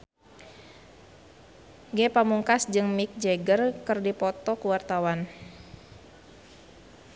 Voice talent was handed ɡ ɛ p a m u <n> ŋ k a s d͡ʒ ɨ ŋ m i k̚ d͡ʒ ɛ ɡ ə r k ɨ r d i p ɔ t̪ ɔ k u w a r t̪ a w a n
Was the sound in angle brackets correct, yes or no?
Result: no